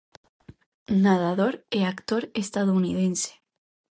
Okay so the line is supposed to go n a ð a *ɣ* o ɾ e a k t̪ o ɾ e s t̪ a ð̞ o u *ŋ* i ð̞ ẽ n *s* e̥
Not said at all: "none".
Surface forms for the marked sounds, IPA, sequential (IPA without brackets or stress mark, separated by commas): ð, n, s